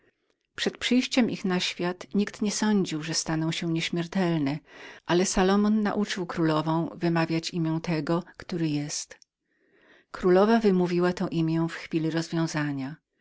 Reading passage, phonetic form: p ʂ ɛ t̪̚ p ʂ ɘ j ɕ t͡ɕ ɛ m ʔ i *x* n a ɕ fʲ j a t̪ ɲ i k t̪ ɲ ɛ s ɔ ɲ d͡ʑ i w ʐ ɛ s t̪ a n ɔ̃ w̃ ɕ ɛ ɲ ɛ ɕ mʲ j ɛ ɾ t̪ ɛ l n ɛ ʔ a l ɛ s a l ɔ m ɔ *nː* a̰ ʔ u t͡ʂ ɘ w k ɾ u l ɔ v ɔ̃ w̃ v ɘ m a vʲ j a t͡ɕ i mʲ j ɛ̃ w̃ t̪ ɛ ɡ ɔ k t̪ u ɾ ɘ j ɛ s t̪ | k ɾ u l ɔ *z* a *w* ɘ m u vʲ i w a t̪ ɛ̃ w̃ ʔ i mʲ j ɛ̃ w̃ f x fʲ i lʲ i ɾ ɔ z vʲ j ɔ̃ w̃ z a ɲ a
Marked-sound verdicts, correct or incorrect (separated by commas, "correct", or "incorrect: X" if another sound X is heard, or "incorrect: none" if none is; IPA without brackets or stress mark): correct, correct, incorrect: v, incorrect: v